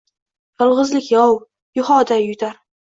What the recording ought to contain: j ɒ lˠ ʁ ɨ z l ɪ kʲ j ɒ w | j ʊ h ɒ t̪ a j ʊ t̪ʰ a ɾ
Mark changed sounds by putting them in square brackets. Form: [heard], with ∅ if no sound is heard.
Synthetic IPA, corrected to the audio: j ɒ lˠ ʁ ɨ z l ɪ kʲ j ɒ w | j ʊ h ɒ [d̪] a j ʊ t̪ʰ a ɾ